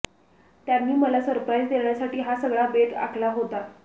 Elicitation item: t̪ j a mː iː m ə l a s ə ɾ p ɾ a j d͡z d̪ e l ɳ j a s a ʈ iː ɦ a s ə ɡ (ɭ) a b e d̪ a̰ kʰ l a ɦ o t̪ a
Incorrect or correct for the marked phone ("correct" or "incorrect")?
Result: correct